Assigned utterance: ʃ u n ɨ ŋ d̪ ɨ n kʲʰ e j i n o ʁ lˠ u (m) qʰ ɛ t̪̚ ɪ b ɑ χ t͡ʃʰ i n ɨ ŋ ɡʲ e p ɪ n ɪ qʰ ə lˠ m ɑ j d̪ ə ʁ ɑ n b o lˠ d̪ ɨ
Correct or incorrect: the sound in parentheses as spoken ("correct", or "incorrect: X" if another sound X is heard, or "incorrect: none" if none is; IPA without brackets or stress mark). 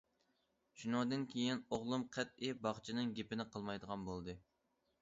correct